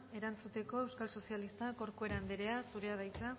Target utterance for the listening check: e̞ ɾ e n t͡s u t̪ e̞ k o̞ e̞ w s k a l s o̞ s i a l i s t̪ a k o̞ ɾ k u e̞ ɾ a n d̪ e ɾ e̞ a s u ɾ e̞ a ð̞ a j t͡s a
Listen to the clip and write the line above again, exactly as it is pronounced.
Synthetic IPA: e̞ ɾ a n t͡s u t̪ e̞ k o̞ e̞ w s k a l s o̞ s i a l i s t̪ a k o̞ ɾ k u e̞ ɾ a n d̪ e ɾ e̞ a s u ɾ e̞ a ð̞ a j t͡s a